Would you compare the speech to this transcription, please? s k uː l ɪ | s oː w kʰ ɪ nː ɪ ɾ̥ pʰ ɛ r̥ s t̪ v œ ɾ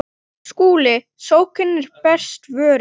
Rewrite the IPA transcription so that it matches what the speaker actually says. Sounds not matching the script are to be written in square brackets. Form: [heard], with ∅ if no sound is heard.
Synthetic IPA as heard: s k uː l ɪ | s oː w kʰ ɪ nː ɪ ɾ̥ [p] ɛ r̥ s t̪ v [œː] ɾ